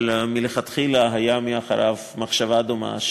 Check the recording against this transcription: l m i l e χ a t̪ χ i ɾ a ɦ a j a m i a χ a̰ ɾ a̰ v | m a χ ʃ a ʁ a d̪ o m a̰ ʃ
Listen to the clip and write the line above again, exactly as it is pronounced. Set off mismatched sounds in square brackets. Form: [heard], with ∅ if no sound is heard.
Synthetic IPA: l m i l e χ a t̪ χ i [l] a ɦ a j a m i a χ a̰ ɾ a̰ v | m a χ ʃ a [v] a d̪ o m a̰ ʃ